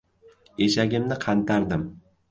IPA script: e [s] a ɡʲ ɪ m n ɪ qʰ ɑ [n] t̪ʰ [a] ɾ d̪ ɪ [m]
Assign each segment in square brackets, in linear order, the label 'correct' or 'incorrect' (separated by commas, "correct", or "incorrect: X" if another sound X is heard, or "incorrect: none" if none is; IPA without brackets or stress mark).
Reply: incorrect: ʃ, correct, correct, correct